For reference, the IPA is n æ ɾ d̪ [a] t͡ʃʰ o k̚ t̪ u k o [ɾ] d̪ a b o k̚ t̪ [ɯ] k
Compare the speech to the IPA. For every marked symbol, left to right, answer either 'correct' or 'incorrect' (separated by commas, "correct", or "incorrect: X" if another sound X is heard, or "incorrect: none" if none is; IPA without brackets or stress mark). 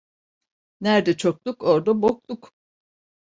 incorrect: ɛ, correct, incorrect: u